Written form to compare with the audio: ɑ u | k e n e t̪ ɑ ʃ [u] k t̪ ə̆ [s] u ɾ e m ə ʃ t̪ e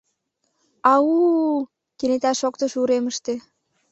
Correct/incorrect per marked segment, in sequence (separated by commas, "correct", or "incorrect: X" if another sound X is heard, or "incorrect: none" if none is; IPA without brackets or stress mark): incorrect: o, incorrect: ʃ